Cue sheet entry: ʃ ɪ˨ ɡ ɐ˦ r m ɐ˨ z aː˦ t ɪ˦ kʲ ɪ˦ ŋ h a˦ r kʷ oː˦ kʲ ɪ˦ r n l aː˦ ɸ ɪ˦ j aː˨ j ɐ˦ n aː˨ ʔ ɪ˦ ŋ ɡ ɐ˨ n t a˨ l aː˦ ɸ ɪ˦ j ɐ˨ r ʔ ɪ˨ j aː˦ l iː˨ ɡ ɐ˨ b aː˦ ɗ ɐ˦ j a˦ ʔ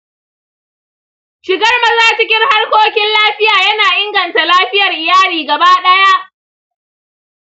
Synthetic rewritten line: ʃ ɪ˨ ɡ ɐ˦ r m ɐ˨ z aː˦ t͡ʃ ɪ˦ kʲ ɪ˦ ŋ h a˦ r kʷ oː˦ kʲ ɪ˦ n l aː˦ ɸ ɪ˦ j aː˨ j ɐ˦ n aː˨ ʔ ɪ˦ ŋ ɡ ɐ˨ n t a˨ l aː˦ ɸ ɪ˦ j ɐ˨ r ʔ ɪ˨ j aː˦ l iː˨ ɡ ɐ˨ b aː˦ ɗ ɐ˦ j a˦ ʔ